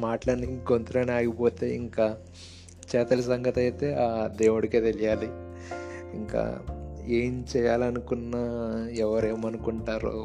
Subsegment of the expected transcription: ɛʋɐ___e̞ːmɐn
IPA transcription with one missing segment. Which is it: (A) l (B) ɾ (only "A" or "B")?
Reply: B